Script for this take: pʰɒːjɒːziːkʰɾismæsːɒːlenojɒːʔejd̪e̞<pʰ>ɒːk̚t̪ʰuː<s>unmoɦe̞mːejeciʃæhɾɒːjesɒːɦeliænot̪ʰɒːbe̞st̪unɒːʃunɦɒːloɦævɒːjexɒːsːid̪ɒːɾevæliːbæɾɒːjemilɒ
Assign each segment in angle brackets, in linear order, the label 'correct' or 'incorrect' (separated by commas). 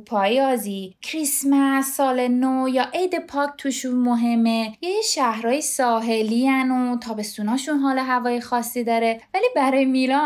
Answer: correct, incorrect